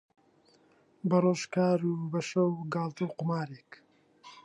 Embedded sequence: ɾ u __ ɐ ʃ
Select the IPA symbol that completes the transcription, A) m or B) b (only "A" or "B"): B